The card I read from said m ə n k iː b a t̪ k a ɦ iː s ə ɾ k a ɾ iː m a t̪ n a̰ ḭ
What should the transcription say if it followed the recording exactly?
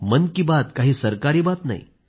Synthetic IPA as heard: m ə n k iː b a t̪ k a ɦ iː s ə ɾ k a ɾ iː b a t̪ n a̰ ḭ

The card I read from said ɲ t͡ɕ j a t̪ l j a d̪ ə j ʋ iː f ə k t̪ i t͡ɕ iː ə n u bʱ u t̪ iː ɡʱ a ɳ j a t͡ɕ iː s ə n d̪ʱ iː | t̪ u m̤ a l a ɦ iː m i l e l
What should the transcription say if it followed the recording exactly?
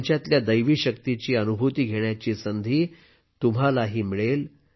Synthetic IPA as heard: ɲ t͡ɕ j a t̪ l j a d̪ ə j ʋ iː ɕ ə k t̪ i t͡ɕ iː ə n u bʱ u t̪ iː ɡʱ e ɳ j a t͡ɕ iː s ə n d̪ʱ iː | t̪ u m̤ a l a ɦ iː m i ɭ e l

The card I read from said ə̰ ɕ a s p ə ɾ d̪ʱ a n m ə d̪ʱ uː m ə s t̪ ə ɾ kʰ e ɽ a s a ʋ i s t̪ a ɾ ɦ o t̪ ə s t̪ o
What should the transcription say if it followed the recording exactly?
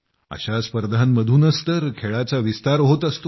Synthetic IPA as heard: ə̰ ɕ a s p ə ɾ d̪ʱ a n m ə d̪ʱ uː n ə s t̪ ə ɾ kʰ e ɭ a t͡s a ʋ i s t̪ a ɾ ɦ o t̪ ə s t̪ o

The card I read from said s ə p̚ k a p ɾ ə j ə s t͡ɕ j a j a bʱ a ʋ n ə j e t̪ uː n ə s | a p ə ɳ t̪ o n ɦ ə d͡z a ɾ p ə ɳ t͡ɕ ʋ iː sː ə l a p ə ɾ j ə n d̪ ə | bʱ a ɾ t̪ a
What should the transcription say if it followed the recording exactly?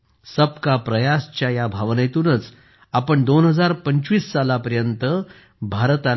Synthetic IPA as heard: s ə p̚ k a p ɾ ə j a s t͡ɕ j a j a bʱ a ʋ n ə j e t̪ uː n ə t͡s | a p ə ɳ d̪ o n ɦ ə d͡z a ɾ p ə ɲ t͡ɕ ʋ iː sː a l a p ə ɾ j ə n t̪ ə | bʱ a ɾ t̪ a

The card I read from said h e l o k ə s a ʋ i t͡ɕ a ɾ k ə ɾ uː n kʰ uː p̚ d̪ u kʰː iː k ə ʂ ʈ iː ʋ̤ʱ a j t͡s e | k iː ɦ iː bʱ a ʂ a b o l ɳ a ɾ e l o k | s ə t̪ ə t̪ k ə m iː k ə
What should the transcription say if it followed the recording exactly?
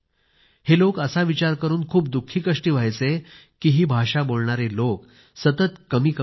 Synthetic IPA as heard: h e l o k ə s a ʋ i t͡ɕ a ɾ k ə ɾ uː n kʰ uː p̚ d̪ u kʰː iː k ə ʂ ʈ iː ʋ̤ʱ a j t͡s e | k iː ɦ iː bʱ a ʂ a b o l ɳ a ɾ e l o k | s ə t̪ ə t̪ k ə m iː k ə

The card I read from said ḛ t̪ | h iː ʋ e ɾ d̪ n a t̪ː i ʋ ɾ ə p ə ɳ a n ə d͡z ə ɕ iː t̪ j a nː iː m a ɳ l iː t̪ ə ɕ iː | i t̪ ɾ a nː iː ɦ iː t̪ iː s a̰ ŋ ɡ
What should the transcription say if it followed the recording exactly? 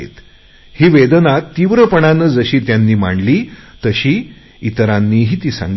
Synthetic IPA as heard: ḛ t̪ | h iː ʋ e d̪ n a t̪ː i ʋ ɾ ə p ə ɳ a n ə d͡z ə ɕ iː t̪ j a nː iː m a ɳ l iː t̪ ə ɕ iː | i t̪ ɾ a nː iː ɦ iː t̪ iː s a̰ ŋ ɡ

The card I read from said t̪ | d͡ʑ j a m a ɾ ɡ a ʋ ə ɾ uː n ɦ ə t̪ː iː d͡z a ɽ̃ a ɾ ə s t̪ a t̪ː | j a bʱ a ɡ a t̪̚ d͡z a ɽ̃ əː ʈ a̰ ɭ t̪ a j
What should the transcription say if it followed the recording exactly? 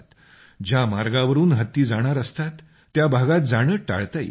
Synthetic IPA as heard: t̪ | d͡ʑ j a m a ɾ ɡ a ʋ ə ɾ uː n ɦ ə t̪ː iː d͡z a ɽ̃ a ɾ ə s t̪ a t̪ː | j a bʱ a ɡ a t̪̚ d͡z a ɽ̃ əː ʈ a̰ ɭ t̪ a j

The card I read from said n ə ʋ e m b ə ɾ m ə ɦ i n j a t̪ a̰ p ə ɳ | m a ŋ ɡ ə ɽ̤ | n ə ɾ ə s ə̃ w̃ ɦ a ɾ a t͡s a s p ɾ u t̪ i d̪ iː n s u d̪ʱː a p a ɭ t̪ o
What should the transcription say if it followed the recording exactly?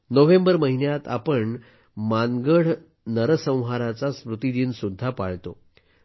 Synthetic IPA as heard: n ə ʋ e m b ə ɾ m ə ɦ i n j a t̪ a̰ p ə ɳ | m a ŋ ɡ ə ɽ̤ | n ə ɾ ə s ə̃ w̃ ɦ a ɾ a t͡s a s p ɾ u t̪ i d̪ iː n s u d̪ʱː a p a ɭ t̪ o

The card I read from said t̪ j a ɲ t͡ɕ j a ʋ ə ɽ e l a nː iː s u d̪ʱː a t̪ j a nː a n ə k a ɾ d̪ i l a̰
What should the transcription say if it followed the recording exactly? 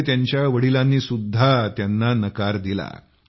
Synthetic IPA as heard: t̪ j a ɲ t͡ɕ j a ʋ ə ɽ i l a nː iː s u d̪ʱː a t̪ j a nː a n ə k a ɾ d̪ i l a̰

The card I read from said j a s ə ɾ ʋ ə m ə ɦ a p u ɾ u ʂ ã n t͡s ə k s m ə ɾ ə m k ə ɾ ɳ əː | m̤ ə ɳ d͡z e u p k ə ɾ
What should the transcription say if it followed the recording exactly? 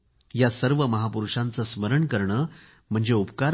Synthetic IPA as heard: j a s ə ɾ ʋ ə m ə ɦ a p u ɾ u ʂ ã n t͡s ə s m ə ɾ ə ɳ k ə ɾ ɳ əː | m̤ ə ɳ d͡z e u p k a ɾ

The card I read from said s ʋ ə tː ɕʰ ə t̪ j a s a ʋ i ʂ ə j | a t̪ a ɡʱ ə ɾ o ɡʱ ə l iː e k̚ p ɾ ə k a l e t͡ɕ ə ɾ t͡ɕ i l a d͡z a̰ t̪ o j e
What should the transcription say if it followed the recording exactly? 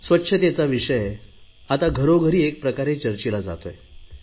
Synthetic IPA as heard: s ʋ ə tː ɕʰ ə t̪ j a t͡s a ʋ i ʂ ə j | a t̪ a ɡʱ ə ɾ o ɡʱ ə ɾ iː e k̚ p ɾ ə k a ɾ e t͡ɕ ə ɾ t͡ɕ i l a d͡z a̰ t̪ o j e

